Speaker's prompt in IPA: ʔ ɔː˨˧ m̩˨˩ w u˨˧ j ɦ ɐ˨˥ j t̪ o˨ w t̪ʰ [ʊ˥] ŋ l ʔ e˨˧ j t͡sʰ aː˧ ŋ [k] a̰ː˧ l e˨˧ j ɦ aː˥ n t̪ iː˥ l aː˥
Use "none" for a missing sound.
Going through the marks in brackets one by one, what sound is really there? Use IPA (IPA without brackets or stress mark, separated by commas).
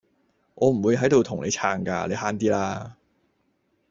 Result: ʊ˨˩, k